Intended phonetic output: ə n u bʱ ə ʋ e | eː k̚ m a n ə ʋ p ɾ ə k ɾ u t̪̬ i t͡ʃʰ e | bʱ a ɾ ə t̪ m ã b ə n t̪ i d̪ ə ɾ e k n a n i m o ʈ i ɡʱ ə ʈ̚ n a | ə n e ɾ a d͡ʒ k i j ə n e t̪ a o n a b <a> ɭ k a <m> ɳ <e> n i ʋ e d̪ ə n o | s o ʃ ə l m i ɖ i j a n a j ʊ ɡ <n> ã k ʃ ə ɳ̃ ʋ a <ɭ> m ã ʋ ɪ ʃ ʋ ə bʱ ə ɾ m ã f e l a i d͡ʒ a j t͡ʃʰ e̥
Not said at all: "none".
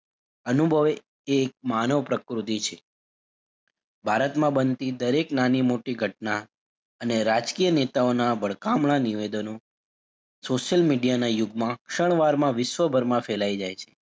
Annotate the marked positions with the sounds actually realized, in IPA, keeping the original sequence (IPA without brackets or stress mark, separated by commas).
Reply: ə, m, a, m, ɾ